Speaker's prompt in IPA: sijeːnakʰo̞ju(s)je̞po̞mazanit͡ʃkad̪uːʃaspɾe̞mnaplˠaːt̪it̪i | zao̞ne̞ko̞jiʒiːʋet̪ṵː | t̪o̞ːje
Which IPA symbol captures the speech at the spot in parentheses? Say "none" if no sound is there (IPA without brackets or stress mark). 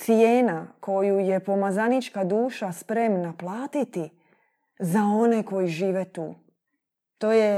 none